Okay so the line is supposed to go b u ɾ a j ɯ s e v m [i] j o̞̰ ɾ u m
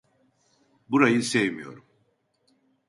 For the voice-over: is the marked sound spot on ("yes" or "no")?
yes